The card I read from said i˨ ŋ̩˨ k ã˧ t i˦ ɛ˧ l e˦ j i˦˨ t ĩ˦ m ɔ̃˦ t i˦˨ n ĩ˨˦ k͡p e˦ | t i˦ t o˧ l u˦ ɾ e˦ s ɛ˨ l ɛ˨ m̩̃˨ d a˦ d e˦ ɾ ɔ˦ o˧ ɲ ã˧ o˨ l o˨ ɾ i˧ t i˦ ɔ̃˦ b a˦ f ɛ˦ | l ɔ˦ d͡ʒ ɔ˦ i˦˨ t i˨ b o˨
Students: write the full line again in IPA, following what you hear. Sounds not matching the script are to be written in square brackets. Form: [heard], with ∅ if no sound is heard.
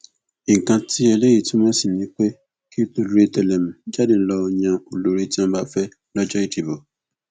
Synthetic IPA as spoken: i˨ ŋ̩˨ k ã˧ t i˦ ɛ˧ l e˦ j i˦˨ t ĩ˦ m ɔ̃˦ [s] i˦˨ n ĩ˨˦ k͡p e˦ | [k] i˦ t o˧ l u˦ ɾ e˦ [t] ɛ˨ l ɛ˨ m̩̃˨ [d͡ʒ] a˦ d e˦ [l] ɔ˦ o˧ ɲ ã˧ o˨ l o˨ ɾ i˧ t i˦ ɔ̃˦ b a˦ f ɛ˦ | l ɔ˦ d͡ʒ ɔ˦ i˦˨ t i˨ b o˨